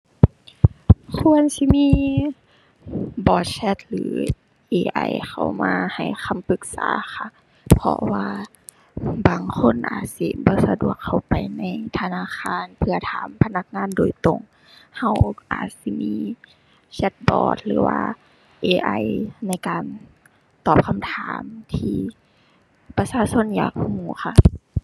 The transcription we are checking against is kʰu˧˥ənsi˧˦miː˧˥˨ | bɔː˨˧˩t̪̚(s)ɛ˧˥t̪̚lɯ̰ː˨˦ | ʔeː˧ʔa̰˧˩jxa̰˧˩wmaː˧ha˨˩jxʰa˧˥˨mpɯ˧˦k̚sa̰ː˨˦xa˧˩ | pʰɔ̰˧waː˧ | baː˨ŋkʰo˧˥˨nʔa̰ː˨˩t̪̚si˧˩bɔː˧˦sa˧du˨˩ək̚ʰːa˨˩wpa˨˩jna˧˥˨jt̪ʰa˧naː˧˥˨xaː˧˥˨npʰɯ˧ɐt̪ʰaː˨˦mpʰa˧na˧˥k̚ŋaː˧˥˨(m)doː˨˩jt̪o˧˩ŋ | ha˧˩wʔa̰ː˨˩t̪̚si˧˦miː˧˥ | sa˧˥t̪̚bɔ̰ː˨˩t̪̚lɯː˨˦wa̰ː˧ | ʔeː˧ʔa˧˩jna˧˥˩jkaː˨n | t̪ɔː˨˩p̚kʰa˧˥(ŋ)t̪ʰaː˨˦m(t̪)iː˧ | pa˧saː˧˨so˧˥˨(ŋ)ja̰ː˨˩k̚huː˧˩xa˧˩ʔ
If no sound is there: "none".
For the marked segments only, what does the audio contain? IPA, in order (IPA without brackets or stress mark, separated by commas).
s, n, m, t̪ʰ, n